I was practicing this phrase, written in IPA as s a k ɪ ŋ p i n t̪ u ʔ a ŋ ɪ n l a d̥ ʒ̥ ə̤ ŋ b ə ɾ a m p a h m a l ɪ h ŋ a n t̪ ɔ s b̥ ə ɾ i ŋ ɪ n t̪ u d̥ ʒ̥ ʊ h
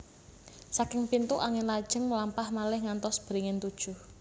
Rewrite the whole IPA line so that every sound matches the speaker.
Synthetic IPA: s a k ɪ ŋ p i n t̪ u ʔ a ŋ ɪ n l a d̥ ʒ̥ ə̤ ŋ m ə l a m p a h m a l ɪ h ŋ a n t̪ ɔ s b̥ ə ɾ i ŋ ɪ n t̪ u d̥ ʒ̥ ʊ h

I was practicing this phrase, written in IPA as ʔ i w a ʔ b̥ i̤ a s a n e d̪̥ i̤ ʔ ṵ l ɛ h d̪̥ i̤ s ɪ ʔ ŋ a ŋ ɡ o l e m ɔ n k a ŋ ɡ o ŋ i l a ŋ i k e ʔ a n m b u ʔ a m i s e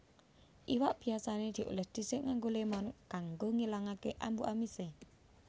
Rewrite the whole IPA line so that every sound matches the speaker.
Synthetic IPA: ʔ i w a ʔ b̥ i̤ a s a n e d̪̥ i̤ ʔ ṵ l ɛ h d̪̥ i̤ s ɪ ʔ ŋ a ŋ ɡ o l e m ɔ n k a ŋ ɡ o ŋ i l a ŋ a k e ʔ a m b u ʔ a m i s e

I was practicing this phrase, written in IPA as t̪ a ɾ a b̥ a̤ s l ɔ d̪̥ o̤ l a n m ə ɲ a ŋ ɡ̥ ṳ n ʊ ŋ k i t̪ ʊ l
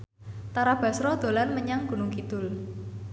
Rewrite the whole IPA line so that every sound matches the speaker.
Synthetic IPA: t̪ a ɾ a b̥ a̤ s ɾ ɔ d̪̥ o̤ l a n m ə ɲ a ŋ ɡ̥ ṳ n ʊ ŋ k i t̪ ʊ l

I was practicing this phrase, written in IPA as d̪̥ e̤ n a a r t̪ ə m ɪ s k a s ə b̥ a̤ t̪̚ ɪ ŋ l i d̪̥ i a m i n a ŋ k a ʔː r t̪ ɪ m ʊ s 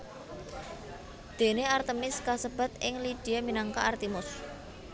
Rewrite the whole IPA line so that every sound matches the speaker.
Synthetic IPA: d̪̥ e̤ n e a r t̪ ə m ɪ s k a s ə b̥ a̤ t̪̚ ɪ ŋ l i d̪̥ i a m i n a ŋ k a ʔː r t̪ i m ʊ s

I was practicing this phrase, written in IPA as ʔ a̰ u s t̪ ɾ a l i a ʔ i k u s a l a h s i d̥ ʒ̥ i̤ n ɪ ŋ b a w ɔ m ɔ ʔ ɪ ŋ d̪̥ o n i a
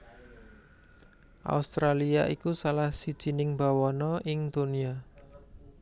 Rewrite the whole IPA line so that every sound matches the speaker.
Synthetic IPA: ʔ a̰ u s t̪ ɾ a l i a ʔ i k u s a l a h s i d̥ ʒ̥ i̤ n ɪ ŋ b a w ɔ n ɔ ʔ ɪ ŋ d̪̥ o n i a

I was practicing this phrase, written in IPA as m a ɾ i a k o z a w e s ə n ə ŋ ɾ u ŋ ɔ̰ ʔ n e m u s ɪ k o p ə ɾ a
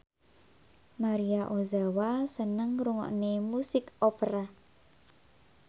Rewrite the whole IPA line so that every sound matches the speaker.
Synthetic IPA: m a ɾ i a ʔ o z a w a s ə n ə ŋ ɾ u ŋ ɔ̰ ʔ n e m u s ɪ k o p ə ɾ a

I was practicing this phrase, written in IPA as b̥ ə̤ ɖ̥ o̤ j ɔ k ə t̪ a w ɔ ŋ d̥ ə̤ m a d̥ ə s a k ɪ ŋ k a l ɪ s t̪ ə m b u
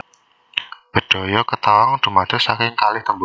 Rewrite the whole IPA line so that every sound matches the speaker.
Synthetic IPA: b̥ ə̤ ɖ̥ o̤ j ɔ k ə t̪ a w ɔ ŋ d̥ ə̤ m a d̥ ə s a k ɪ ŋ k a l ɪ h t̪ ə m b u

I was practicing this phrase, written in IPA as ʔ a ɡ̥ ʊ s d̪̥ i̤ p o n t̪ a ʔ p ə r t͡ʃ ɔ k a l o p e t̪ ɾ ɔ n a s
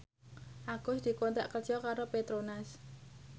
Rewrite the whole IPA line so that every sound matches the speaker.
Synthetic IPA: ʔ a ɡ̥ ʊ s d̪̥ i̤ k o n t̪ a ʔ k ə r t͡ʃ ɔ k a ɾ o p e t̪ ɾ o n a s

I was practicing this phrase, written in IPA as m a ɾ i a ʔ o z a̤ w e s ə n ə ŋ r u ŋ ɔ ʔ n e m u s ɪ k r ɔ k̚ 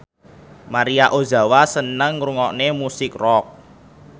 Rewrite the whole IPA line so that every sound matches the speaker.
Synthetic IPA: m a ɾ i a ʔ o z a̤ w a s ə n ə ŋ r u ŋ ɔ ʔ n e m u s ɪ k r ɔ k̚

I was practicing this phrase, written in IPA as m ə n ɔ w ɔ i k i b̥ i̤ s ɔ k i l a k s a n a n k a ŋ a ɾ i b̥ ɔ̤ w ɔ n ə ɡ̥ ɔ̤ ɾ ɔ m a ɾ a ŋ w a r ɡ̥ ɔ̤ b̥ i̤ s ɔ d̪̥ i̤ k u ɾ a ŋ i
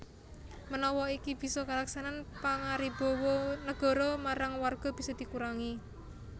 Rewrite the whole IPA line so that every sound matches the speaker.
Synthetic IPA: m ə n ɔ w ɔ i k i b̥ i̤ s ɔ k a l a k s a n a n p a ŋ a ɾ i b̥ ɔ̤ w ɔ n ə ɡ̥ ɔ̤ ɾ ɔ m a ɾ a ŋ w a r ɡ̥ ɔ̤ b̥ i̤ s ɔ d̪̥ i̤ k u ɾ a ŋ i

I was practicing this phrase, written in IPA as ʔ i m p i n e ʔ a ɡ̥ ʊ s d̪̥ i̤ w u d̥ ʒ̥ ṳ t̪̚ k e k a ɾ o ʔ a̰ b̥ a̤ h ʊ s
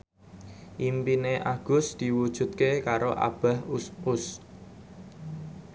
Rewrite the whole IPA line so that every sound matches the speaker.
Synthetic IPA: ʔ i m p i n e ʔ a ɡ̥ ʊ s d̪̥ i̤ w u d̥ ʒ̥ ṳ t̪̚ k e k a ɾ o ʔ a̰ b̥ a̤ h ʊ s

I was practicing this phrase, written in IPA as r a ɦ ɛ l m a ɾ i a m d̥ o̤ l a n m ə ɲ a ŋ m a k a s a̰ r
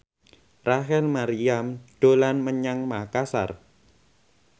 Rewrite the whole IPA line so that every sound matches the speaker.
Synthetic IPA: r a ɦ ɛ l m a ɾ i a m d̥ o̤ l a n m ə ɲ a ŋ m a k a s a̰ r

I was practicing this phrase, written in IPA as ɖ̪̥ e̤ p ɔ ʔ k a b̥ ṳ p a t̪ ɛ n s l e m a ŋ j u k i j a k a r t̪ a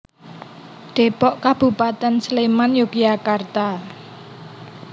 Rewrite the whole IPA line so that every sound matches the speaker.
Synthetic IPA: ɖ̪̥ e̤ p ɔ ʔ k a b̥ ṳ p a t̪ ɛ n s l e m a n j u k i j a k a r t̪ a

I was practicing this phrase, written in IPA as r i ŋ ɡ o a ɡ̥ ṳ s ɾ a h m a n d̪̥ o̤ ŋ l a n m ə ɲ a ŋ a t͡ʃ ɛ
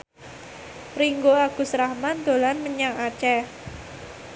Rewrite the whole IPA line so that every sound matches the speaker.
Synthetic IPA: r i ŋ ɡ o a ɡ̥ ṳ s ɾ a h m a n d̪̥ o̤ l a n m ə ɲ a ŋ a t͡ʃ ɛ

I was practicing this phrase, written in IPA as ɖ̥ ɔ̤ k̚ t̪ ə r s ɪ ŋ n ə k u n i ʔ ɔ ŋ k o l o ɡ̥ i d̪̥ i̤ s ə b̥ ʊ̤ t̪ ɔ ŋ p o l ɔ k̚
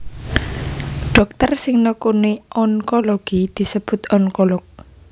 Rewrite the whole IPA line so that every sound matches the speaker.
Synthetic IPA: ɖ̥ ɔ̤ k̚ t̪ ə r s ɪ ŋ n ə k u n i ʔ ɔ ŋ k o l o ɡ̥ i d̪̥ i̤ s ə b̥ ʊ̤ t̪ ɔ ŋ k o l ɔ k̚

